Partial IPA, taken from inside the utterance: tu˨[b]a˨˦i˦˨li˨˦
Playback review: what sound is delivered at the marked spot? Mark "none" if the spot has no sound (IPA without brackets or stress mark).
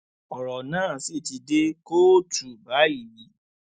b